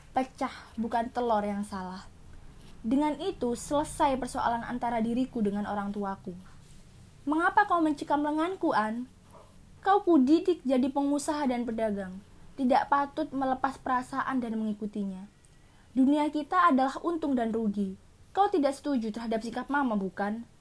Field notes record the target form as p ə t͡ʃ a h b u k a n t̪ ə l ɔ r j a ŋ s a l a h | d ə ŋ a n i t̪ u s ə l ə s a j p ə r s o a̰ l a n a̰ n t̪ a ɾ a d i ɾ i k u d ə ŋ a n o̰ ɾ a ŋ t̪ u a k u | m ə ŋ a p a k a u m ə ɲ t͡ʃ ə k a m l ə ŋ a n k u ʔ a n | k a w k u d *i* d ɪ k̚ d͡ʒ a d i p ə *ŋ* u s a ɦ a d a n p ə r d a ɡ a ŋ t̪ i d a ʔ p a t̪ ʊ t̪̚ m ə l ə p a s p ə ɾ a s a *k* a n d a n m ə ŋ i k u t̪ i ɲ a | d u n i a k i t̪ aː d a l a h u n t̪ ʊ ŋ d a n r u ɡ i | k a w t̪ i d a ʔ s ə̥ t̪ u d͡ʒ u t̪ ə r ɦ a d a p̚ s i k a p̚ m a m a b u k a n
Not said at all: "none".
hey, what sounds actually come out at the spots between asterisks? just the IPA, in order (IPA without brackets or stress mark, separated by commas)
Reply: i, ŋ, ʔ